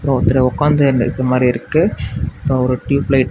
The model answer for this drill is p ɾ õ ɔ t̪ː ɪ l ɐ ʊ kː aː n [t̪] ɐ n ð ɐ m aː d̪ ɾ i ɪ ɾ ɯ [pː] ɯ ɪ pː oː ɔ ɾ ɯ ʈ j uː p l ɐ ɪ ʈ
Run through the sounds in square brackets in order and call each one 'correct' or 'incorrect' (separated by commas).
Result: incorrect, incorrect